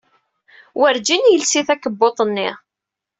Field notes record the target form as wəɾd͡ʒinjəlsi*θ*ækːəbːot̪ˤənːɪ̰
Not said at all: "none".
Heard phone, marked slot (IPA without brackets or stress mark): θ